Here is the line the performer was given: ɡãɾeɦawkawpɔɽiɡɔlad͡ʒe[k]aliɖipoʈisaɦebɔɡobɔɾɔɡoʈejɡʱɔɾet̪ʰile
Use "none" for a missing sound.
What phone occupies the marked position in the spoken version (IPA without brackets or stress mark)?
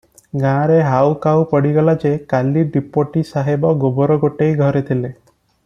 k